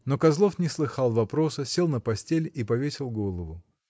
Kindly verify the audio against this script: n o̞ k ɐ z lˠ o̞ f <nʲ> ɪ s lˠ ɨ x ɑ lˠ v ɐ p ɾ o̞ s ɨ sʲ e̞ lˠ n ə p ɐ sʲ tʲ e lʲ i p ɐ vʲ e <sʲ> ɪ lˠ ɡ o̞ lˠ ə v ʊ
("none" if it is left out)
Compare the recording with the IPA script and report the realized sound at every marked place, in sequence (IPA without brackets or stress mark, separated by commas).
nʲ, sʲ